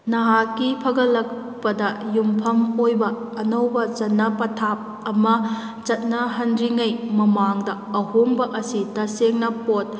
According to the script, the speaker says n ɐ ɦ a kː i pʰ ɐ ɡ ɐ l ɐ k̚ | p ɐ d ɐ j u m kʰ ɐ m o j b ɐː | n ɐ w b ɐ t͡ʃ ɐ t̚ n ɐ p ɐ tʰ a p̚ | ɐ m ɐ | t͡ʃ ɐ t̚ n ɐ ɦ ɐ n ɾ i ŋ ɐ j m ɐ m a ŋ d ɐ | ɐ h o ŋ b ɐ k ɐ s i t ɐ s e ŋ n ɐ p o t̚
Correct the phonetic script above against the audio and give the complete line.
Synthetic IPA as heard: n ɐ ɦ a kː i pʰ ɐ ɡ ɐ l ɐ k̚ | p ɐ d ɐ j u m pʰ ɐ m o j b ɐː | n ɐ w b ɐ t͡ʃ ɐ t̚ n ɐ p ɐ tʰ a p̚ | ɐ m ɐ | t͡ʃ ɐ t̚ n ɐ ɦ ɐ n ɾ i ŋ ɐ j m ɐ m a ŋ d ɐ | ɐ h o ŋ b ɐ ʔ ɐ s i t ɐ s e ŋ n ɐ p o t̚